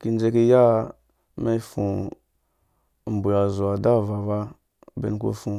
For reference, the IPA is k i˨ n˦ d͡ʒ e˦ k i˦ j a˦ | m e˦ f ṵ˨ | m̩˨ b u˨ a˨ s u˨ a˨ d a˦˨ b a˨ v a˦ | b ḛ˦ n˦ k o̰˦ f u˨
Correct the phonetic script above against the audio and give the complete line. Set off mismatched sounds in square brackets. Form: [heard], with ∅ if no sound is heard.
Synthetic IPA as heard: k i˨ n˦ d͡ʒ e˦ k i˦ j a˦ | m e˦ f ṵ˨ | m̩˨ b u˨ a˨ [z] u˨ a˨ d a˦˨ [v] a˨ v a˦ | b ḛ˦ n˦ k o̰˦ f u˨

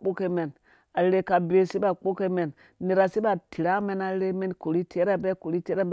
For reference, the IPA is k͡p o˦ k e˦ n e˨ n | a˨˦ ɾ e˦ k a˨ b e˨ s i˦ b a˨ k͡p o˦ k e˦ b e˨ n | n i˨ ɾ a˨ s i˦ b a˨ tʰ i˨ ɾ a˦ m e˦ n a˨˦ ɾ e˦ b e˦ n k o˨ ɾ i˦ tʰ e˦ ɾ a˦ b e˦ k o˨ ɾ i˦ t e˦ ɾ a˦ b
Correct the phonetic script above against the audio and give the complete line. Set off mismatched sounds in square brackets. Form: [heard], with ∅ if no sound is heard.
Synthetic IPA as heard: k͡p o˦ k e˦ [m] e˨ n | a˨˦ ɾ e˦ k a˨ b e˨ s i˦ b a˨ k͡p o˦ k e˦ [m] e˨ n | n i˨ ɾ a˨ s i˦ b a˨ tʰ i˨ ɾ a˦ m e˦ n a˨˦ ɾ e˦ [m] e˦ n k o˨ ɾ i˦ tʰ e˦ ɾ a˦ b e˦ k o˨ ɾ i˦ t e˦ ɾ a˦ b

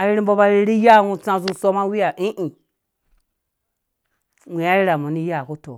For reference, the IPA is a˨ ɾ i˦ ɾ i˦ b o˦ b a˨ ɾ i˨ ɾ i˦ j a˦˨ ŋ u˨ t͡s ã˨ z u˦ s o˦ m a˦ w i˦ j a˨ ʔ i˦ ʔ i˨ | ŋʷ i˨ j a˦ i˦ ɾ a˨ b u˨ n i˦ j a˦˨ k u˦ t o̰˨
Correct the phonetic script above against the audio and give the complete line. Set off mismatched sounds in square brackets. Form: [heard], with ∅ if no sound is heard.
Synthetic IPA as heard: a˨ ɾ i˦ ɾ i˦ b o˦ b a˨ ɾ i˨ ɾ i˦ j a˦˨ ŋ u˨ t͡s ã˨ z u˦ s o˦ m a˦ w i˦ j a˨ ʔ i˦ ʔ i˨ | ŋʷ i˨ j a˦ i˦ ɾ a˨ [m] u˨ n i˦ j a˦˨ k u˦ t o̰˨

